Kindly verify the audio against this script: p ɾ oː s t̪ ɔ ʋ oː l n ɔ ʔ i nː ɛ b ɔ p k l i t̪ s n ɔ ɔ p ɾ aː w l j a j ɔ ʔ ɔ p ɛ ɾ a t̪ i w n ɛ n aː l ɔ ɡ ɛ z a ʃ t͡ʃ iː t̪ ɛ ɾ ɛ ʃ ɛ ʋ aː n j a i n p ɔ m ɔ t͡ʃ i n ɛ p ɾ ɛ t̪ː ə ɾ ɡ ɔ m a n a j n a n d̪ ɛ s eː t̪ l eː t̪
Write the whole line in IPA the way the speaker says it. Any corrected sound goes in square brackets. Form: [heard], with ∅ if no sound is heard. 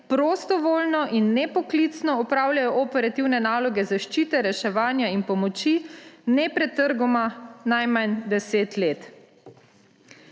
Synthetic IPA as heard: p ɾ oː s t̪ ɔ ʋ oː l n ɔ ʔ i nː ɛ [p] ɔ [∅] k l i t̪ s n ɔ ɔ p ɾ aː w l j a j ɔ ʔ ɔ p ɛ ɾ a t̪ i w n ɛ n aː l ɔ ɡ ɛ z a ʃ t͡ʃ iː t̪ ɛ ɾ ɛ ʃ ɛ ʋ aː n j a i n p ɔ m ɔ t͡ʃ i n ɛ p ɾ ɛ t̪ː ə ɾ ɡ ɔ m a n a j [m] a n d̪ ɛ s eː t̪ l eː t̪